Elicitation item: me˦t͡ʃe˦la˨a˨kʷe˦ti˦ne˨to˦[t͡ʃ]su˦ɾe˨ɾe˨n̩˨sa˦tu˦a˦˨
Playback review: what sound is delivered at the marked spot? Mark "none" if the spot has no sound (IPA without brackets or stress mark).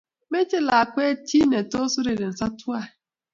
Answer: none